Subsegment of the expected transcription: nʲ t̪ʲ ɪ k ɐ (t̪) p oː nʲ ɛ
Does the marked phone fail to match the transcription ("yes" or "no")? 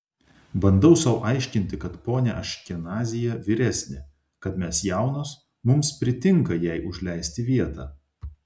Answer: no